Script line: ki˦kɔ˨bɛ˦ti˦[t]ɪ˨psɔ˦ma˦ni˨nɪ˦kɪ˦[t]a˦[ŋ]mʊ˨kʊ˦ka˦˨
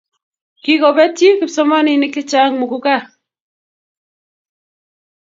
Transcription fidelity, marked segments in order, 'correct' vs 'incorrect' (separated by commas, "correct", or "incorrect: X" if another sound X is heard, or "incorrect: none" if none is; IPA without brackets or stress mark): incorrect: k, incorrect: t͡ʃ, correct